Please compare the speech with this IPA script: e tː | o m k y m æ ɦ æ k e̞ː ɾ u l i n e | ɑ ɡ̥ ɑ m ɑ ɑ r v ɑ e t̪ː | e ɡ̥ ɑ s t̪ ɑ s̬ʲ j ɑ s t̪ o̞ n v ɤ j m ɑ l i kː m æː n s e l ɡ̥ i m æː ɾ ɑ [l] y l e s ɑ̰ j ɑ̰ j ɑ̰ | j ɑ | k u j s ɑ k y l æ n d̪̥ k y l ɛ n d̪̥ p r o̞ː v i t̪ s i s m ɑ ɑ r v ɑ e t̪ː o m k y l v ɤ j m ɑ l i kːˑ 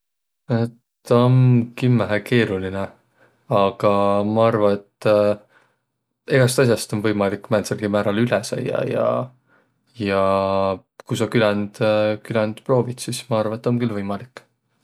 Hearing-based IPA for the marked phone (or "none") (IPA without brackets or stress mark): l